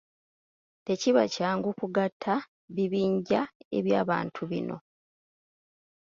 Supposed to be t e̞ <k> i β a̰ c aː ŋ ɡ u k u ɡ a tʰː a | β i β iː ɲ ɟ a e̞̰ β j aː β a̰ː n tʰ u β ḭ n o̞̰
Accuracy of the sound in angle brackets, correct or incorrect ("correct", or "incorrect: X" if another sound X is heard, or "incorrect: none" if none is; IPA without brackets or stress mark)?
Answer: incorrect: c